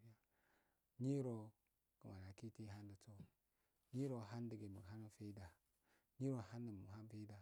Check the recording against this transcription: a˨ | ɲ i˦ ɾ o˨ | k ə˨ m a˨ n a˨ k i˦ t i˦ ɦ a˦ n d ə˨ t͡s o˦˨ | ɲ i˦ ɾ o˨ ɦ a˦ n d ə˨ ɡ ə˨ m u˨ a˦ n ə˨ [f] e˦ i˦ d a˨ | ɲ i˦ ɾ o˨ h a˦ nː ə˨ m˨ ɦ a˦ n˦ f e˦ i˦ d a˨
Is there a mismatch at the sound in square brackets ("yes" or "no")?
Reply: no